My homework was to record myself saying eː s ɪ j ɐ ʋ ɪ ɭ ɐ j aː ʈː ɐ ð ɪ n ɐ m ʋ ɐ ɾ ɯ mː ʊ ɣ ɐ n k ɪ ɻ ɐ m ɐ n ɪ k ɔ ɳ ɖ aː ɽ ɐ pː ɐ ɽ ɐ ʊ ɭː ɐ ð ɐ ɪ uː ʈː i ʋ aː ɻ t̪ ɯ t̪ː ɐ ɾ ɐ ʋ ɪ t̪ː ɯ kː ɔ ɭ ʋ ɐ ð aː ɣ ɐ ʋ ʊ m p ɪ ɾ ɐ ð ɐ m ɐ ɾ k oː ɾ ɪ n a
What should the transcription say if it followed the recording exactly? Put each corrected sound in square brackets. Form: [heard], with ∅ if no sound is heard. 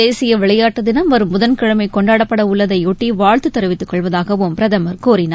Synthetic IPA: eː s ɪ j ɐ ʋ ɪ ɭ ɐ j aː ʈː ɐ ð ɪ n ɐ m ʋ ɐ ɾ ɯ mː ʊ [ð] ɐ n k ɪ ɻ ɐ m ɐ [∅] ɪ k ɔ ɳ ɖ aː ɽ ɐ pː ɐ ɽ ɐ ʊ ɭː ɐ ð ɐ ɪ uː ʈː i ʋ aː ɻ t̪ ɯ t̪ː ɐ ɾ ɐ ʋ ɪ t̪ː ɯ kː ɔ ɭ ʋ ɐ ð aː ɣ ɐ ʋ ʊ m p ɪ ɾ ɐ ð ɐ m ɐ ɾ k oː ɾ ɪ n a